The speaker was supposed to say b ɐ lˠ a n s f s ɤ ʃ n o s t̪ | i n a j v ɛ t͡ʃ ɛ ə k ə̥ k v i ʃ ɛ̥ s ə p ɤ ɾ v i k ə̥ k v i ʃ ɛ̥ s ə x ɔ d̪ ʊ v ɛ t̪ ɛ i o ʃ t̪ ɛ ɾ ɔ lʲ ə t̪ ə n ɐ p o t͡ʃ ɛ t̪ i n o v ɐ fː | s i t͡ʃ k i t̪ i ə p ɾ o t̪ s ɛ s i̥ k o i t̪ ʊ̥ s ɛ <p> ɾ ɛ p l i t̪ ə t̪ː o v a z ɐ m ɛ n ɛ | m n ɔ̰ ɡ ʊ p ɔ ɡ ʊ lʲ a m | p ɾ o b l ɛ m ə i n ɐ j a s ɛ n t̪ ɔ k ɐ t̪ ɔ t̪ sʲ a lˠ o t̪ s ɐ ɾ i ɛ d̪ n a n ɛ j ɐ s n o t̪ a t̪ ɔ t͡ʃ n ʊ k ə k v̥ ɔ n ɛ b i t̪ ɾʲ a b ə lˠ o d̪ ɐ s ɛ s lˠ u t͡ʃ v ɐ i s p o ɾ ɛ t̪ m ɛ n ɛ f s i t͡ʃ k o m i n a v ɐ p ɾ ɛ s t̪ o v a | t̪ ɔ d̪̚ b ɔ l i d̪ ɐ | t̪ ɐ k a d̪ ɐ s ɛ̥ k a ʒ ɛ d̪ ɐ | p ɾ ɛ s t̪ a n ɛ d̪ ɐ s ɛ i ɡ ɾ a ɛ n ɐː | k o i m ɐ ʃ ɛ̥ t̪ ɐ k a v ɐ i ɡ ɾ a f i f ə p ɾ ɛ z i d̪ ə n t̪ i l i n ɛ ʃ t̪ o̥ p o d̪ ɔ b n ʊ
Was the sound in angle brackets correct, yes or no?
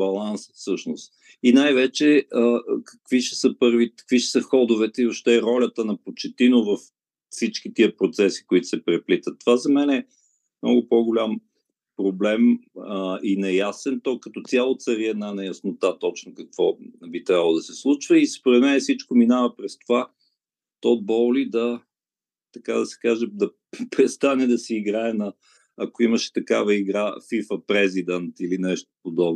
yes